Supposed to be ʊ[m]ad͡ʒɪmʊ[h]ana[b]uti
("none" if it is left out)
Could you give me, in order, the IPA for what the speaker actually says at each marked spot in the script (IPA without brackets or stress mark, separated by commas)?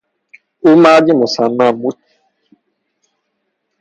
m, s, m